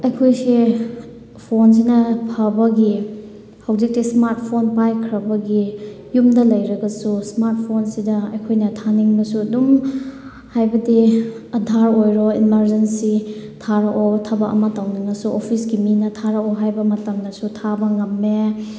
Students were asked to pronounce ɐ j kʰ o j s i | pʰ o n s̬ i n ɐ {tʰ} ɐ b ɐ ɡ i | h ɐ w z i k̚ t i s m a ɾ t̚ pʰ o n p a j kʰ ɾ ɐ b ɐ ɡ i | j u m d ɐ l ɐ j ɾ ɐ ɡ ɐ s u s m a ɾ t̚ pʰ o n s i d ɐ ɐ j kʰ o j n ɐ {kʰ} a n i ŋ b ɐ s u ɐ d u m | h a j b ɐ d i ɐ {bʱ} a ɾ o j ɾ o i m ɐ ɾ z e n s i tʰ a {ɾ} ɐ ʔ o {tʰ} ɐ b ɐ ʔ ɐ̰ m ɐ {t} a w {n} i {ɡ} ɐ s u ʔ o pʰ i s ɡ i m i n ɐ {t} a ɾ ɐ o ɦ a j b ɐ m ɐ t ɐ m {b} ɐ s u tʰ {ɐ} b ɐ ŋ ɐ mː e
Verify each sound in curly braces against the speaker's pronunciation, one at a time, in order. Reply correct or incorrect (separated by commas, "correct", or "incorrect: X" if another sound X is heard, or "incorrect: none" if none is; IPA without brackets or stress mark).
incorrect: pʰ, incorrect: tʰ, incorrect: dʱ, correct, correct, correct, correct, incorrect: ŋ, incorrect: tʰ, incorrect: d, incorrect: a